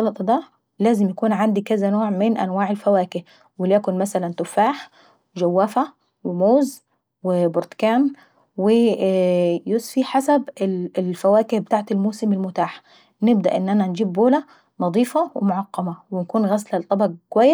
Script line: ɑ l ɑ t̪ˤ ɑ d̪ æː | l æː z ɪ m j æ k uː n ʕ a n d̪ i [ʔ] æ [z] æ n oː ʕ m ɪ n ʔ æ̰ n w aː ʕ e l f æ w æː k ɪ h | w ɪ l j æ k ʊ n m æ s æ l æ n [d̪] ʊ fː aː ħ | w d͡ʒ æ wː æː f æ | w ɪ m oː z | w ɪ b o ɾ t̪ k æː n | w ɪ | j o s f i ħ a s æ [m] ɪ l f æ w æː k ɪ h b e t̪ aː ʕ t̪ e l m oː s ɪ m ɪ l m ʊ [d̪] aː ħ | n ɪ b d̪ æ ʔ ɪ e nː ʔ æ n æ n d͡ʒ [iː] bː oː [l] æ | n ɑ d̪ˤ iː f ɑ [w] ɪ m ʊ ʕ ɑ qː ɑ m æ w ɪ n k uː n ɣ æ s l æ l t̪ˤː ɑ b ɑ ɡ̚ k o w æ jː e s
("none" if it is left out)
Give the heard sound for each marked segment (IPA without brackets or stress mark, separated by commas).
k, z, t̪, b, t̪, iː, l, w